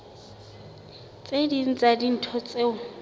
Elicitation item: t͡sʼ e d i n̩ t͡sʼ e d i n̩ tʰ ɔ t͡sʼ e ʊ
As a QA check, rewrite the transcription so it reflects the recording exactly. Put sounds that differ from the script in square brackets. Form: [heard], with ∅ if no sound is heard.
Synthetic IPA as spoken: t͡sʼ e d i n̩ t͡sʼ [a] d i n̩ tʰ ɔ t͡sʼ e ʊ